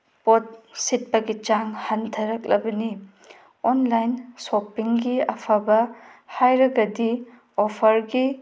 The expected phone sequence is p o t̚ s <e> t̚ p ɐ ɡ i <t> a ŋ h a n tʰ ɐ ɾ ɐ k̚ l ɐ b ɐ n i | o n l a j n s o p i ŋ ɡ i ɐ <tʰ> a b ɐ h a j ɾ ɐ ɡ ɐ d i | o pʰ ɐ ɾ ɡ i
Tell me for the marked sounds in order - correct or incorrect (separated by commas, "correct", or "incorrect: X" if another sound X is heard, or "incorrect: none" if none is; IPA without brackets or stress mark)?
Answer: incorrect: i, incorrect: t͡ʃ, incorrect: pʰ